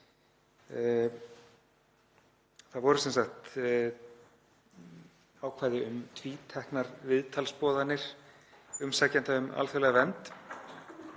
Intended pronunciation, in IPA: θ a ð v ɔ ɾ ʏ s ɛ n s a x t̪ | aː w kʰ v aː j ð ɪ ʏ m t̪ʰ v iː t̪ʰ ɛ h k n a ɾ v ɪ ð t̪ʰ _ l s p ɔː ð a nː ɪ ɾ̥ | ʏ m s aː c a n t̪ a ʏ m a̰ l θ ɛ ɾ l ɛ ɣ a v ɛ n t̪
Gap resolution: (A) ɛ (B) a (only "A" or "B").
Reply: B